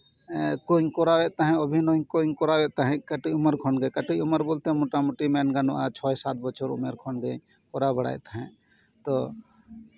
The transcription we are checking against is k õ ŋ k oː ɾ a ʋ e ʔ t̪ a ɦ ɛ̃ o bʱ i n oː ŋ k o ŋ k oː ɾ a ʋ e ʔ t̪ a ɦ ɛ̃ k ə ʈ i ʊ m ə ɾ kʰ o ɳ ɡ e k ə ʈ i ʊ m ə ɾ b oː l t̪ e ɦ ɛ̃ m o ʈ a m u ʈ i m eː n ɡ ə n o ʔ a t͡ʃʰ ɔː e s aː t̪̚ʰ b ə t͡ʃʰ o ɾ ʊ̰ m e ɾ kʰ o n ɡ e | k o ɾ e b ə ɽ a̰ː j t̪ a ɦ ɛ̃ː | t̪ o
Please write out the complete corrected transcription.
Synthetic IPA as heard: k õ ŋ k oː ɾ a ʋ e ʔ t̪ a ɦ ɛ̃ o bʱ i n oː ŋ k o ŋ k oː ɾ a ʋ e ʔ t̪ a ɦ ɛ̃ k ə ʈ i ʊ m ə ɾ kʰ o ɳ ɡ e k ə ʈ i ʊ m ə ɾ b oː l t̪ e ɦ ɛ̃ m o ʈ a m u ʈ i m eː n ɡ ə n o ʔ a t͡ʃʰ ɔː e s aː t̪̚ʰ b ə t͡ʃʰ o ɾ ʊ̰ m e ɾ kʰ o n ɡ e | k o ɾ a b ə ɽ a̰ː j t̪ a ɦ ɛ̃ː | t̪ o